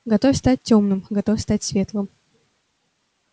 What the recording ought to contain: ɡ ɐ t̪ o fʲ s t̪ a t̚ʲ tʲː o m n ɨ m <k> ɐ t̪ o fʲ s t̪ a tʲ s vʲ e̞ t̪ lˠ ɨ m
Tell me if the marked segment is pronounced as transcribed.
no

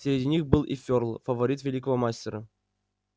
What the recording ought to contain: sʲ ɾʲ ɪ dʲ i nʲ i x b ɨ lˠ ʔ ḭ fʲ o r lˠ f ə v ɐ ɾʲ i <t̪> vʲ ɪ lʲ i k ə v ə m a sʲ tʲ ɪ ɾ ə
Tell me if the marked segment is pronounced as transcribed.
yes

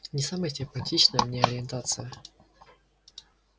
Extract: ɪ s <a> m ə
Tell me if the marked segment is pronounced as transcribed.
yes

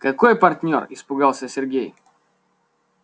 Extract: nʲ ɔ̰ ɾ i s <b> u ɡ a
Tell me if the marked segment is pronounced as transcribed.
no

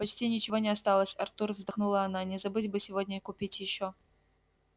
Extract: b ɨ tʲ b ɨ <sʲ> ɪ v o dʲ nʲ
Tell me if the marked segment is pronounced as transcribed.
yes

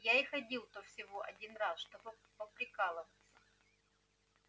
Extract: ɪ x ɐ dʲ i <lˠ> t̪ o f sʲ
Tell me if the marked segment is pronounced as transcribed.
yes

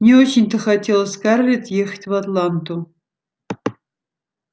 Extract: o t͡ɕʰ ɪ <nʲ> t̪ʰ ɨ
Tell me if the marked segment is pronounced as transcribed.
yes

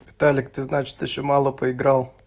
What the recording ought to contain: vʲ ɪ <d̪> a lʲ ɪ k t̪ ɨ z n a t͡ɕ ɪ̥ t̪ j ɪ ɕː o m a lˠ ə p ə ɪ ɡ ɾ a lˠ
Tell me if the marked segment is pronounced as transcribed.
no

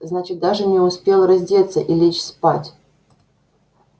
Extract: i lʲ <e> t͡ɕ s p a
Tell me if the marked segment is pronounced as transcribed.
yes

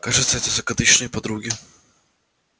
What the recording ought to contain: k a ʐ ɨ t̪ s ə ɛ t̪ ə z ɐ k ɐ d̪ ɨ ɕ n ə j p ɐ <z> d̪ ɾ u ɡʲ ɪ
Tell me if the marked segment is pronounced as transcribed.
no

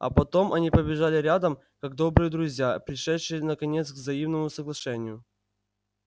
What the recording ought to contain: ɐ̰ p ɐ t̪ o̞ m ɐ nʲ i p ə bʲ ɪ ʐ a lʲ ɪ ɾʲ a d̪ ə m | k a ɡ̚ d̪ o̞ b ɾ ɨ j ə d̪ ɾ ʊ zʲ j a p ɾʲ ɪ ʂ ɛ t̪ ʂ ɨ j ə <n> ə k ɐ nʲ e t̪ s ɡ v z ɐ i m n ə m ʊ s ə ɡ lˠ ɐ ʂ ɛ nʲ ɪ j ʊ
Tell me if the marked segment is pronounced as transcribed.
yes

